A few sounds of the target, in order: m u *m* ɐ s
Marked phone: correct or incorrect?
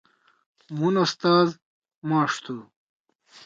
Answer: incorrect